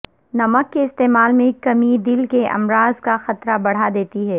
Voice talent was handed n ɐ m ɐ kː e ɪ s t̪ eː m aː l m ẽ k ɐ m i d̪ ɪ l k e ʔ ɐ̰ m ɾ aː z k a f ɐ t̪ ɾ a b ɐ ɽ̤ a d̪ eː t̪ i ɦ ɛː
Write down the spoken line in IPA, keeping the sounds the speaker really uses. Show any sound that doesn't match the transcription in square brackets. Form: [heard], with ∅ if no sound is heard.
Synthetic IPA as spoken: n ɐ m [ə] kː e ɪ s t̪ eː m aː l m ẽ k ɐ m i d̪ ɪ l k e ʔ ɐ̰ m ɾ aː z k a [x] ɐ t̪ ɾ a b ɐ ɽ̤ a d̪ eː t̪ i ɦ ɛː